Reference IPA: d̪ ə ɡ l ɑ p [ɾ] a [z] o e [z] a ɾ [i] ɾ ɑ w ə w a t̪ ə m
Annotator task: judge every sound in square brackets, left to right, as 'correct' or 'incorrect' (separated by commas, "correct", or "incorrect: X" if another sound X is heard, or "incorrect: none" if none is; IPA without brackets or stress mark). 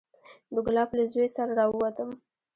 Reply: incorrect: l, correct, incorrect: s, incorrect: a